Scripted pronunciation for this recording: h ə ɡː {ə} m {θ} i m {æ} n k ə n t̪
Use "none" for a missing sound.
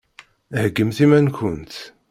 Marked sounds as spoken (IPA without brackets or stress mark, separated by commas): ə, θ, æ